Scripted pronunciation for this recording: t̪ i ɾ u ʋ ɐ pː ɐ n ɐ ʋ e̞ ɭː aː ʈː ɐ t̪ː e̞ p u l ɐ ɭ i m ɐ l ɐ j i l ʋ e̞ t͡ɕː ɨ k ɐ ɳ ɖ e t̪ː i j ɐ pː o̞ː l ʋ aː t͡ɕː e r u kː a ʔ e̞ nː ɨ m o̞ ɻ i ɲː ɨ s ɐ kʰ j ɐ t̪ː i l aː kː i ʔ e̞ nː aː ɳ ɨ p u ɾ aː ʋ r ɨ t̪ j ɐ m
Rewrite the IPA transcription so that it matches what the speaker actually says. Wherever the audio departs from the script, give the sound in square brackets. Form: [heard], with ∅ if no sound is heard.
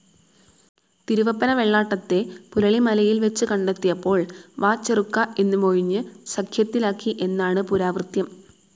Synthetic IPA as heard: t̪ i ɾ u ʋ ɐ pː ɐ n ɐ ʋ e̞ ɭː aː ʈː ɐ t̪ː e̞ p u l ɐ ɭ i m ɐ l ɐ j i l ʋ e̞ t͡ɕː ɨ k ɐ ɳ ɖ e t̪ː i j ɐ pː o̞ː [ɭ] ʋ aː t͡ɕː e r u kː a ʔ e̞ nː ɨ m o̞ ɻ i ɲː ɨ s ɐ kʰ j ɐ t̪ː i l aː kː i ʔ e̞ nː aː ɳ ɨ p u ɾ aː ʋ r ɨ t̪ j ɐ m